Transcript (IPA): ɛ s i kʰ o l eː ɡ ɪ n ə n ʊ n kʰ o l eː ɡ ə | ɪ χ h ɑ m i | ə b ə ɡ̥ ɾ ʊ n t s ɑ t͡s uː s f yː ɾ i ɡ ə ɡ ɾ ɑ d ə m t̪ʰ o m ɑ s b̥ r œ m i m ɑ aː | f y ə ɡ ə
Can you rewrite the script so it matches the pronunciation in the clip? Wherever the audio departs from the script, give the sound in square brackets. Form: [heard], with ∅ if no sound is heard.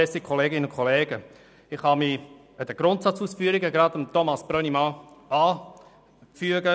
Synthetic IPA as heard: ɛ s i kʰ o l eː ɡ ɪ n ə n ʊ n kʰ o l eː ɡ ə | ɪ χ h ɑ m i | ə [d] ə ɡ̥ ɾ ʊ n t s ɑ t͡s uː s f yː ɾ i ɡ ə ɡ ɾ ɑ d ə m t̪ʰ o m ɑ s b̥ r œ [n] i m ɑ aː | f y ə ɡ ə